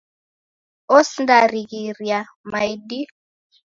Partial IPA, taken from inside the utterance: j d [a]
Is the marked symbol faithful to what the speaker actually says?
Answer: no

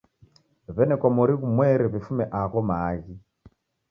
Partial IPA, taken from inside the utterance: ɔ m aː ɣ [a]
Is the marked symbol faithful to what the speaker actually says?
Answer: no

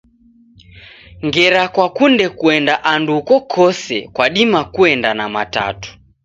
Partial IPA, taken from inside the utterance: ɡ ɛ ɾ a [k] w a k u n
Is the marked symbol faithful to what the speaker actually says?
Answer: yes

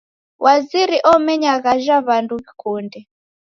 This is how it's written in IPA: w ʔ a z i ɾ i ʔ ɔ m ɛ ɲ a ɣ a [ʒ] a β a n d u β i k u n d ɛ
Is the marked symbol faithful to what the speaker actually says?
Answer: yes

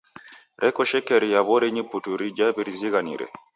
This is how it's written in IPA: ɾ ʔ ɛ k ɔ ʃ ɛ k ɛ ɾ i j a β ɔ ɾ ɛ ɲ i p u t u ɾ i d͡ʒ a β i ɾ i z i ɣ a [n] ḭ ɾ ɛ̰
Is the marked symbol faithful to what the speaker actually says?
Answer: yes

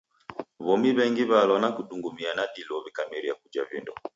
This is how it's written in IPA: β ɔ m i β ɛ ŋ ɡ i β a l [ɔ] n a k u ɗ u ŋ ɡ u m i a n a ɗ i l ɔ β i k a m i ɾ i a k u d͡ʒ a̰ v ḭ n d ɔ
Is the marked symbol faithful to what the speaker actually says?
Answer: yes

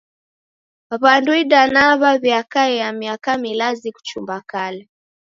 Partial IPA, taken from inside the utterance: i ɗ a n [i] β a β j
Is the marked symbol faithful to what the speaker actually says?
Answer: no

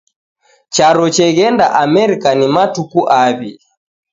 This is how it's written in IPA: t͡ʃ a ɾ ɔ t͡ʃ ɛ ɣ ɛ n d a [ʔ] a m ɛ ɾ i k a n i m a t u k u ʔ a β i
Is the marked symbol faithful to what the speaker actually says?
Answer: yes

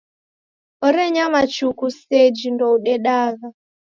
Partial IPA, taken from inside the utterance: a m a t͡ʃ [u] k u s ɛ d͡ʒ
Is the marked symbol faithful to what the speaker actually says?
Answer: yes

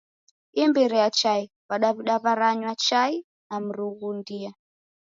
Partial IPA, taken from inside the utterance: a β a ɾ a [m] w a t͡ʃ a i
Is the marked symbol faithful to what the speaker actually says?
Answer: no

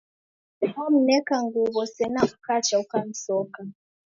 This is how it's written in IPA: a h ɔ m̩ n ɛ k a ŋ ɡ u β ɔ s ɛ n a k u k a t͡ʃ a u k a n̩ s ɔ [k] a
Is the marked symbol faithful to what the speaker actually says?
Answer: yes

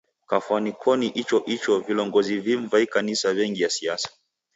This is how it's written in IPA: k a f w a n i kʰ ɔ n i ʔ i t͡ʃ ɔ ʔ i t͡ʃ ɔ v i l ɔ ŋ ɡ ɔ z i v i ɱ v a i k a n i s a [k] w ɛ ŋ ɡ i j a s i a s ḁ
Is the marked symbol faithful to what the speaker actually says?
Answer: no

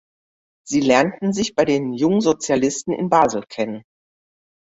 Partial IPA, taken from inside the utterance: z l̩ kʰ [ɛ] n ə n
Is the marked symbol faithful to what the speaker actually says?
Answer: yes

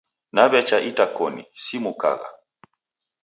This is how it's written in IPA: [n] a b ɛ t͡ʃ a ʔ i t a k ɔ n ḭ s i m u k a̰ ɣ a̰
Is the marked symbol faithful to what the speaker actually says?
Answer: yes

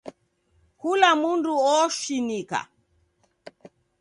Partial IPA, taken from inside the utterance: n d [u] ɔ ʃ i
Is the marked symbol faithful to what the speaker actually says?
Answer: yes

